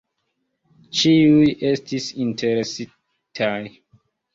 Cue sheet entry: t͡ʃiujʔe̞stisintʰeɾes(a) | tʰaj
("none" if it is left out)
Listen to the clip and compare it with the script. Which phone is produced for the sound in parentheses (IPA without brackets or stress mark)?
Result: i